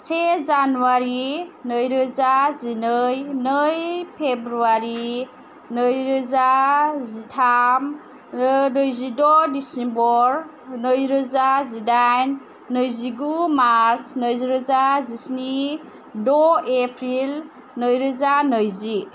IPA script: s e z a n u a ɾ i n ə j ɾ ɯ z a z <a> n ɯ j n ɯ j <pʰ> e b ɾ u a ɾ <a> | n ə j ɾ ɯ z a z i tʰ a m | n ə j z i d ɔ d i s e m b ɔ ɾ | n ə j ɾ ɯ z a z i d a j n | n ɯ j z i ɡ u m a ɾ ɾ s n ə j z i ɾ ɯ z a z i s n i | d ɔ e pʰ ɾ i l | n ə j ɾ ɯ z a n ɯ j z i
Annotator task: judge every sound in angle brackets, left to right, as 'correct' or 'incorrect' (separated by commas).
incorrect, correct, incorrect